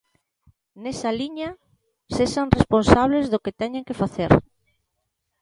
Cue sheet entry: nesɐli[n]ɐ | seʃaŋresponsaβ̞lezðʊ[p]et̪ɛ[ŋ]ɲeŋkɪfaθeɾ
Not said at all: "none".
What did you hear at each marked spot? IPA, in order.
ɲ, k, none

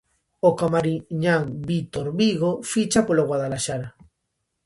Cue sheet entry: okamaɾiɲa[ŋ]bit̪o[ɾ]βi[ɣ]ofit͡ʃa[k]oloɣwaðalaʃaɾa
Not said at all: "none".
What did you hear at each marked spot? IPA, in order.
ŋ, ɾ, ɣ, p

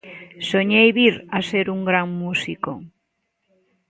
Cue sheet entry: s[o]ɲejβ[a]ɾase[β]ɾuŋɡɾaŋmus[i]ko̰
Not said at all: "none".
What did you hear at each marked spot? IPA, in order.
o, i, none, i

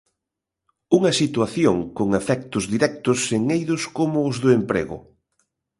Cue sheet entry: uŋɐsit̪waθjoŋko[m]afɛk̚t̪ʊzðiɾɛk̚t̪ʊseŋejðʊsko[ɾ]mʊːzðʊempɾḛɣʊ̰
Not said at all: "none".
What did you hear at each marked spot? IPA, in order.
ŋ, none

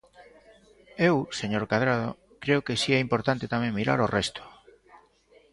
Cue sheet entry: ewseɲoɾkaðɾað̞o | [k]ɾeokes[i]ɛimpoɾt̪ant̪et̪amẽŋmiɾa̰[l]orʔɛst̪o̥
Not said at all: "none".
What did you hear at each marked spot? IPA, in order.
k, i, ɾ

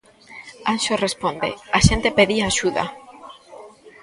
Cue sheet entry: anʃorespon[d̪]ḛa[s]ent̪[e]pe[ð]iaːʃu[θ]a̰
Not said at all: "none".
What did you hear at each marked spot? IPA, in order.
d̪, ʃ, e, ð, ð

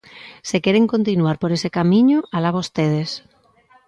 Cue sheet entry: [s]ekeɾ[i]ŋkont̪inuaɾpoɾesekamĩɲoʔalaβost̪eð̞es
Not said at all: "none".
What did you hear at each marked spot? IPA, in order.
s, e

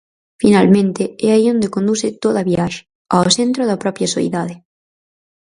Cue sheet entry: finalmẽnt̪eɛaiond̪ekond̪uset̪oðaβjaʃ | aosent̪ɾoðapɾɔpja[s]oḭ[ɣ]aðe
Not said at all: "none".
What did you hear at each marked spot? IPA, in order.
s, ð

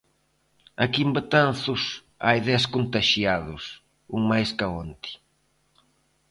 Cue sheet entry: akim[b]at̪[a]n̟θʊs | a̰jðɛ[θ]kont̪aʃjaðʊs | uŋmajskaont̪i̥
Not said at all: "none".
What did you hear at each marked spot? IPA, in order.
b, a, s

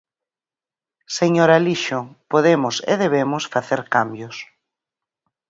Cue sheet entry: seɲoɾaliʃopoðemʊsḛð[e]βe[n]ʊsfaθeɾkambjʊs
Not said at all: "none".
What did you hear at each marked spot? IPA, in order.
e, m

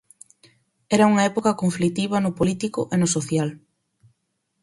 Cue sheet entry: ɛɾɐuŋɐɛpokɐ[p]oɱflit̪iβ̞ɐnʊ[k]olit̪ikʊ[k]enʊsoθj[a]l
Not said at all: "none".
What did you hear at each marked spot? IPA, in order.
k, p, ʔ, a

